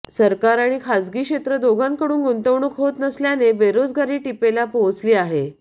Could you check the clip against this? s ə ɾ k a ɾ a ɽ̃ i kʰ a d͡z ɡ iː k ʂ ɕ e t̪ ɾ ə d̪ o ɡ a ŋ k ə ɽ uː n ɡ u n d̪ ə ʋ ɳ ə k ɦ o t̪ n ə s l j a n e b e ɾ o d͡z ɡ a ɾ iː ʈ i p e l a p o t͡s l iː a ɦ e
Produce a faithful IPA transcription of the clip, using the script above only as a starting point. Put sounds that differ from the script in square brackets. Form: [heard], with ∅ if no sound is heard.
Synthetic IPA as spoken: s ə ɾ k a ɾ a ɽ̃ i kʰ a d͡z ɡ iː k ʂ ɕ e t̪ ɾ ə d̪ o ɡ a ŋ k ə ɽ uː n ɡ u n [t̪] ə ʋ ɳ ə k ɦ o t̪ n ə s l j a n e b e ɾ o d͡z ɡ a ɾ iː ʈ i p e l a p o t͡s l iː a ɦ e